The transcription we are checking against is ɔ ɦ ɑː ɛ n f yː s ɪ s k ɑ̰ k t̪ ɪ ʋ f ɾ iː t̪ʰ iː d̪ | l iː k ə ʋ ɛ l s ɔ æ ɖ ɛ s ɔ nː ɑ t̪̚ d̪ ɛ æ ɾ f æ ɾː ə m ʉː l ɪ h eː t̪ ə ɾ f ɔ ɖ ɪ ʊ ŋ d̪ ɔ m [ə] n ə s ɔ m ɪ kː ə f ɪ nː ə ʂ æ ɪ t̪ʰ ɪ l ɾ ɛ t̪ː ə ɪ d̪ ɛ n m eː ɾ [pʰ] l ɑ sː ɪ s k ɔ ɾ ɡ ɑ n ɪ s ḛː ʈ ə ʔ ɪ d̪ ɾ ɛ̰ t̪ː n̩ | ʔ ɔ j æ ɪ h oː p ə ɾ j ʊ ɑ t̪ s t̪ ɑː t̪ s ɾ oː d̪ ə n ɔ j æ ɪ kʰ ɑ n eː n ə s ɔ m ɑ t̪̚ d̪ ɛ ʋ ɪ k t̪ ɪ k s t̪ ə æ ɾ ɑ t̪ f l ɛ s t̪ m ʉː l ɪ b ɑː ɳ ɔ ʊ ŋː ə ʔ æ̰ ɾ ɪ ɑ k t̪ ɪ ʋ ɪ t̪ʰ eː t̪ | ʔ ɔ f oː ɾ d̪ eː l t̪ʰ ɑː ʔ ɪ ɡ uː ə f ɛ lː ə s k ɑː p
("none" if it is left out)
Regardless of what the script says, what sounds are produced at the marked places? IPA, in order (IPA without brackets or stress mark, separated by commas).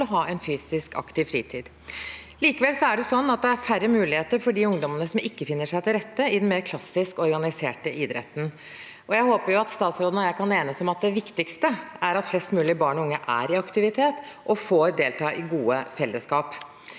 ə, kʰ